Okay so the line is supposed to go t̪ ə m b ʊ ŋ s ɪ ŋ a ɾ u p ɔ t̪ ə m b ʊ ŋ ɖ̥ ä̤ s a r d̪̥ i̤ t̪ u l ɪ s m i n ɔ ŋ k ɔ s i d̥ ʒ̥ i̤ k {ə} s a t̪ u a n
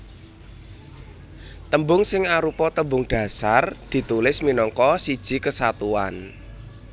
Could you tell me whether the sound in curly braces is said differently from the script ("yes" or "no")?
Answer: no